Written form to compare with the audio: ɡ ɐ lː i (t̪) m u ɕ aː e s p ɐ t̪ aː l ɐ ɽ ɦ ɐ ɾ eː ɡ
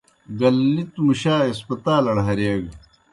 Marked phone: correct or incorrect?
correct